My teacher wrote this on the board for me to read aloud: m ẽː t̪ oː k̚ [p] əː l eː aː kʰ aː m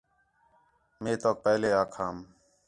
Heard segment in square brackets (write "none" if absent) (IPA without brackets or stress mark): p